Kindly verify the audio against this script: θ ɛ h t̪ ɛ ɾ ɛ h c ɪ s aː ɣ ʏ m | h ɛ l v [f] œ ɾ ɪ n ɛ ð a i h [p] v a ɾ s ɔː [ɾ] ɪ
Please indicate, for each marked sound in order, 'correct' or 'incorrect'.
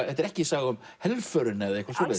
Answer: correct, incorrect, incorrect

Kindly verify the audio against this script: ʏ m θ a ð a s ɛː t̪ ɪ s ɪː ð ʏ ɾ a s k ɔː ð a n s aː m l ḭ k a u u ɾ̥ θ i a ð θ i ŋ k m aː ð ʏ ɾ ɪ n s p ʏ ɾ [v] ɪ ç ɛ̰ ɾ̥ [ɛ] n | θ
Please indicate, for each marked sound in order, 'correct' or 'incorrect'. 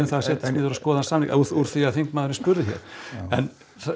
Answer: incorrect, correct

